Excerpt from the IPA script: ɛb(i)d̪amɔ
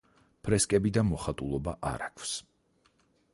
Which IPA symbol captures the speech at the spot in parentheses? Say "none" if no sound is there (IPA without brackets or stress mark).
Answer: i